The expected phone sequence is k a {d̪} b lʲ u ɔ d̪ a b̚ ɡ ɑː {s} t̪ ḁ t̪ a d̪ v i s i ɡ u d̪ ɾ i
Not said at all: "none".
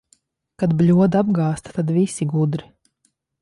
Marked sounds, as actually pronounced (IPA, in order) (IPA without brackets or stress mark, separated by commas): d̪, s